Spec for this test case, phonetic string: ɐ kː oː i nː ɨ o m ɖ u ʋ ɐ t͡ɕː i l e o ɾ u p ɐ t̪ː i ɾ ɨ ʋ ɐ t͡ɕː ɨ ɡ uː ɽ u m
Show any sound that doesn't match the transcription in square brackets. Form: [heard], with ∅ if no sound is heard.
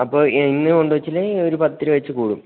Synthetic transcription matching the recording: ɐ [pː] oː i nː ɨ o [ɳ] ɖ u ʋ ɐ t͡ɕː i l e o ɾ u p ɐ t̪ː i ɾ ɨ ʋ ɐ t͡ɕː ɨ [k] uː ɽ u m